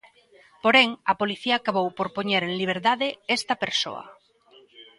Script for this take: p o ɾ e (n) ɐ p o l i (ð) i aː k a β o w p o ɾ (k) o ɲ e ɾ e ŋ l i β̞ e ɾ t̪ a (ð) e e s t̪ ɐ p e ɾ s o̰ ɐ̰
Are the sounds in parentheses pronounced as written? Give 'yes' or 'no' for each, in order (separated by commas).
no, no, no, yes